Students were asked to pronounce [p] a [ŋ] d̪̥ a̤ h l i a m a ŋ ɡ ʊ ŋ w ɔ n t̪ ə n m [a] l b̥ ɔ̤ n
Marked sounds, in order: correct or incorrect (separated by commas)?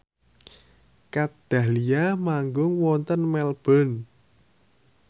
incorrect, incorrect, incorrect